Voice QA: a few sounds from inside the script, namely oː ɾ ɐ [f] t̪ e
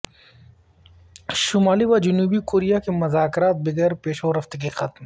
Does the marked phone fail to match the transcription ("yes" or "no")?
no